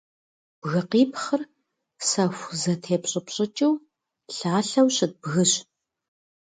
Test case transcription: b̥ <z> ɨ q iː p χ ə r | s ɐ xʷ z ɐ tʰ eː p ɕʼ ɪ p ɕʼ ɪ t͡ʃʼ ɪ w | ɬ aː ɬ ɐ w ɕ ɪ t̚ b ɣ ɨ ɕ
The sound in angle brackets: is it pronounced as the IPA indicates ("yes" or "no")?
no